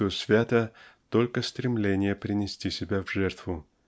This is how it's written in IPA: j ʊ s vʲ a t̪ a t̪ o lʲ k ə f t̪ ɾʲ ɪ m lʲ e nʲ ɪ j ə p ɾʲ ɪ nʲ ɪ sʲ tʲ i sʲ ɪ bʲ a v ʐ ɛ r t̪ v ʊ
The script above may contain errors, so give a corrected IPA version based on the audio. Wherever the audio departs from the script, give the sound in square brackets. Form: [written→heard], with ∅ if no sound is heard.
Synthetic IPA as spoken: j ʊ s vʲ a t̪ [a→ə] t̪ o lʲ k ə [f→s] t̪ ɾʲ ɪ m lʲ e nʲ ɪ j ə p ɾʲ ɪ nʲ ɪ sʲ tʲ i sʲ ɪ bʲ a v ʐ ɛ r t̪ v ʊ